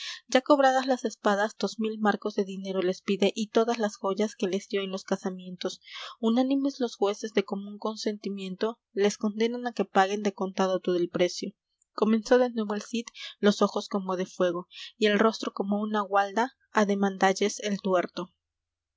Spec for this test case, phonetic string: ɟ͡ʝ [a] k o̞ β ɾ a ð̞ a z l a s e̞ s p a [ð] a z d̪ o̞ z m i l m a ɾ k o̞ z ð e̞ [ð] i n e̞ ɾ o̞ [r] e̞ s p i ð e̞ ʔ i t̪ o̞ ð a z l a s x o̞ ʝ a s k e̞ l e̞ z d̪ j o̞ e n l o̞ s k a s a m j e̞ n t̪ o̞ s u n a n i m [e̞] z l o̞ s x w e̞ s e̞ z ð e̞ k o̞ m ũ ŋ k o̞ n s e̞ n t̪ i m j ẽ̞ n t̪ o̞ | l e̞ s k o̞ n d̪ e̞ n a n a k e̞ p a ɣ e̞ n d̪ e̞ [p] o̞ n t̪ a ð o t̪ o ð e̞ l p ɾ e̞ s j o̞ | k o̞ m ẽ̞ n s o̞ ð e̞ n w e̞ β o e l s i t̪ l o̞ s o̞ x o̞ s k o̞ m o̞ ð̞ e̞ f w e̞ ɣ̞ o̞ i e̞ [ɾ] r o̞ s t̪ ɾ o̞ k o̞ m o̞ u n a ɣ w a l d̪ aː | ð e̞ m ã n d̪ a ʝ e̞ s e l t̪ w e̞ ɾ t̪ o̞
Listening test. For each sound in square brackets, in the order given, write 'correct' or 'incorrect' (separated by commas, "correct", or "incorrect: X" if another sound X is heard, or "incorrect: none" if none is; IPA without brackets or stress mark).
correct, correct, correct, incorrect: l, correct, incorrect: k, incorrect: l